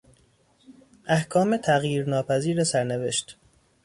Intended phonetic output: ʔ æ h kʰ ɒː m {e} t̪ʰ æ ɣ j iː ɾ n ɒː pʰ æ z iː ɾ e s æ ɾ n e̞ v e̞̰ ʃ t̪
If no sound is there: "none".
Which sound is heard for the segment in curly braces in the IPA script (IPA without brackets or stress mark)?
e